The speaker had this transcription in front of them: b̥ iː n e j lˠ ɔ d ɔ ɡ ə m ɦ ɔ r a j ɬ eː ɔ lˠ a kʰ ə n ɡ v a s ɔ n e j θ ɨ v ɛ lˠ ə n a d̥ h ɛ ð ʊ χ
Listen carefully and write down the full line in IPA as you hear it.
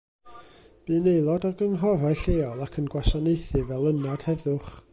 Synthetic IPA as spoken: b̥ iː n e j lˠ ɔ d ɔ ɡ ə n ɦ ɔ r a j ɬ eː ɔ lˠ a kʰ ə n ɡ w a s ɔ n e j θ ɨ v ɛ lˠ ə n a d̥ h ɛ ð ʊ χ